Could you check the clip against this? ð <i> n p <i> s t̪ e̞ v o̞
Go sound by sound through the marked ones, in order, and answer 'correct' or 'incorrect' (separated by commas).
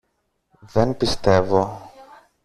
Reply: incorrect, correct